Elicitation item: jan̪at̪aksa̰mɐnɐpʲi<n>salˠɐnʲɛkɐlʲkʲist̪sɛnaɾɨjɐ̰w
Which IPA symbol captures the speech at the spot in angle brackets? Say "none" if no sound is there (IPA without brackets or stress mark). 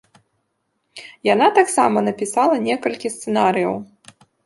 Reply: none